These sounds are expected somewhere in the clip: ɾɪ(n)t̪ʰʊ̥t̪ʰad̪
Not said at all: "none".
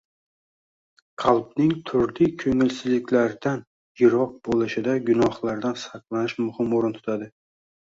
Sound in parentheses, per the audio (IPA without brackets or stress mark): n